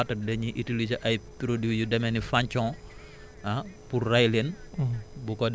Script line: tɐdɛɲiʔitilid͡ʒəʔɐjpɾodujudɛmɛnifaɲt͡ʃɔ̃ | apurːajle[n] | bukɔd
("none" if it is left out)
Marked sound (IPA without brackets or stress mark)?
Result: n